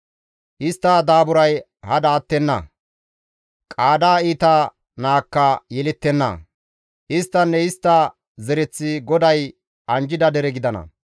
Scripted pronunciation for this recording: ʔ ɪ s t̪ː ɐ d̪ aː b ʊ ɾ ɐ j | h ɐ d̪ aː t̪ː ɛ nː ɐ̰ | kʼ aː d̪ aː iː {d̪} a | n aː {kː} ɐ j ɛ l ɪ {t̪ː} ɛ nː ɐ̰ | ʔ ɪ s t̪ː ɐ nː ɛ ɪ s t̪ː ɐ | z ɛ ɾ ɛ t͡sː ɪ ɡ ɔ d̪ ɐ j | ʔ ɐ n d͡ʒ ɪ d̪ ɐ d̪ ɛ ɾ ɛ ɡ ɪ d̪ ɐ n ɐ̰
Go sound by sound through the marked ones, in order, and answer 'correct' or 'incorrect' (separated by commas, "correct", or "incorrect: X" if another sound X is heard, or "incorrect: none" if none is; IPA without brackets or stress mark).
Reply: incorrect: t̪, correct, correct